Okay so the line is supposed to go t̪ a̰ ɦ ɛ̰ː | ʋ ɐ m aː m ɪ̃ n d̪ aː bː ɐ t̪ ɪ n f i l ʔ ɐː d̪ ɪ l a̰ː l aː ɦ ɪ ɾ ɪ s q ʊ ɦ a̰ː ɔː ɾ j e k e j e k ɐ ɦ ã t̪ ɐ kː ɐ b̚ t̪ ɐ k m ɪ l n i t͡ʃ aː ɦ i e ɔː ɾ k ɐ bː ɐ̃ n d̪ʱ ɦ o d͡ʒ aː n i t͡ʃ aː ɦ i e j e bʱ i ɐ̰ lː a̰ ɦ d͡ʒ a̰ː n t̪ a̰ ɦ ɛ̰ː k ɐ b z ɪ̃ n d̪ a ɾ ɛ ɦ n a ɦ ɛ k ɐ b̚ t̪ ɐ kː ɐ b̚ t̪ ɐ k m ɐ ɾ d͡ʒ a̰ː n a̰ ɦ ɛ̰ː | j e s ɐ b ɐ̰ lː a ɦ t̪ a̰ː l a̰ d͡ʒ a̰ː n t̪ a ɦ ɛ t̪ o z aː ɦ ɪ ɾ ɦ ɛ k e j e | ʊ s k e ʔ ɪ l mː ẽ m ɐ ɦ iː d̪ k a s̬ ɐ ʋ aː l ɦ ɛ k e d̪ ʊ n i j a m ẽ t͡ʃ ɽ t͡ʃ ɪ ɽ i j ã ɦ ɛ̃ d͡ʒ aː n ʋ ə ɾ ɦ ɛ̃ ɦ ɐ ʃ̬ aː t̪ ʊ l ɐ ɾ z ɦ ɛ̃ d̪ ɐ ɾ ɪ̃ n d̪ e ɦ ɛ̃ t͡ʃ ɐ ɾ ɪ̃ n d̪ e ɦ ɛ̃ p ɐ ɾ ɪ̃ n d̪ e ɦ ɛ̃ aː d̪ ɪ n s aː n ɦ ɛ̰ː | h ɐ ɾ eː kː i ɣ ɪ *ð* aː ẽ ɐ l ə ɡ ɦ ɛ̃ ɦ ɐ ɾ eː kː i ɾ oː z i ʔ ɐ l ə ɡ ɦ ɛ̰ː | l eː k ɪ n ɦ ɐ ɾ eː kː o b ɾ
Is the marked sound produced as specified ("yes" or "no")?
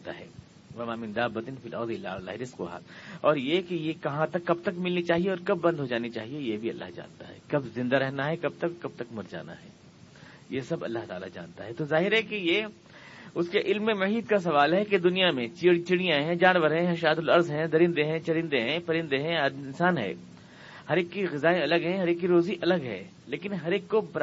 no